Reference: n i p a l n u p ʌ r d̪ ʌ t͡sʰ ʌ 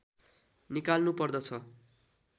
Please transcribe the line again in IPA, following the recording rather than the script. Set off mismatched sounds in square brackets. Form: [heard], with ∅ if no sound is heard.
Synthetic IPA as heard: n i [k] a l n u p ʌ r d̪ ʌ t͡sʰ ʌ